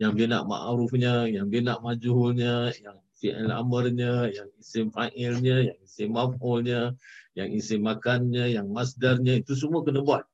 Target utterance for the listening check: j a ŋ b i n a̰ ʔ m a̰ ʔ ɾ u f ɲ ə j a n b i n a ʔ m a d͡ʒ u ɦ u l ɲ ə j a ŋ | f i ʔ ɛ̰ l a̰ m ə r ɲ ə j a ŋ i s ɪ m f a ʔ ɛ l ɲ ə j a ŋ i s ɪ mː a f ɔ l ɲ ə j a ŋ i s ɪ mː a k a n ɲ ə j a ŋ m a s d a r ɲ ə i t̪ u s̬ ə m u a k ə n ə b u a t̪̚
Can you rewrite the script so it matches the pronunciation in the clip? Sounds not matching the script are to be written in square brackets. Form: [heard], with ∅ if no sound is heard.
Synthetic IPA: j a ŋ b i n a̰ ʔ m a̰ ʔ ɾ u f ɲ ə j a [ŋ] b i n a ʔ m a d͡ʒ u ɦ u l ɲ ə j a ŋ | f i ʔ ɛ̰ l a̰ m ə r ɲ ə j a ŋ i s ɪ m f a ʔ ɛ l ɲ ə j a ŋ i s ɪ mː a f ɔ l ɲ ə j a ŋ i s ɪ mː a k a n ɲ ə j a ŋ m a s d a r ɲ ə i t̪ u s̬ ə m u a k ə n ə b u a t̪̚